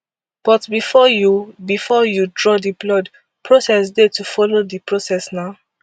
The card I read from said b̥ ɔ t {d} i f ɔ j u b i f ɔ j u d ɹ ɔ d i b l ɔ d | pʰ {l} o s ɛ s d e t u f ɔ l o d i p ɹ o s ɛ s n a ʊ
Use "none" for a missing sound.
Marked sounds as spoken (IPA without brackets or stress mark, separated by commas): b, ɹ